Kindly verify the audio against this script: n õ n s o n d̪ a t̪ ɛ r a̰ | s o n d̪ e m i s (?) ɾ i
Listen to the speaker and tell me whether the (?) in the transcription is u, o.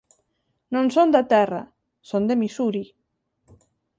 u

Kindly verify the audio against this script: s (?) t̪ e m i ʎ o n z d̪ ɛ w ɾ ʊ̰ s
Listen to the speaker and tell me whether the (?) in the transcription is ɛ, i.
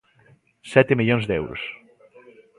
ɛ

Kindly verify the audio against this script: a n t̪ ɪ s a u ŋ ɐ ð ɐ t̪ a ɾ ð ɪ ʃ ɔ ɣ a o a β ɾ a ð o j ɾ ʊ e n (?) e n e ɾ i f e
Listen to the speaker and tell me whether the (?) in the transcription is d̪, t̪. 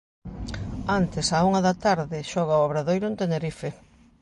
t̪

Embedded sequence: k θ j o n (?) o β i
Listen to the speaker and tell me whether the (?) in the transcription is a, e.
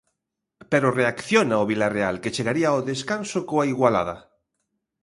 a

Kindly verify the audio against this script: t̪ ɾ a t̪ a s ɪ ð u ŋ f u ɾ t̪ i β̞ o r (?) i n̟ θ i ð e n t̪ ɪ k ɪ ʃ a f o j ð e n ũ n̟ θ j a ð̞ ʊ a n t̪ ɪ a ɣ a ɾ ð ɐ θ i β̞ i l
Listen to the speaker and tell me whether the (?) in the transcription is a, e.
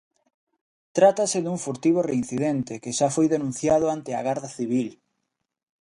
e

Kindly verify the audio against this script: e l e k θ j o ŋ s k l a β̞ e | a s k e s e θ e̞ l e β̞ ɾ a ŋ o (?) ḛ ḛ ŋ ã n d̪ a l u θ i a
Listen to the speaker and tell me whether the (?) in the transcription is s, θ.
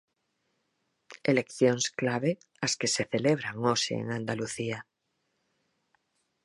s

